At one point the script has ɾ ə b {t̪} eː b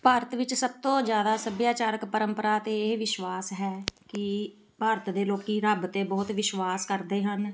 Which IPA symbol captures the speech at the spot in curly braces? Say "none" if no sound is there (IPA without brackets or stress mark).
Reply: t̪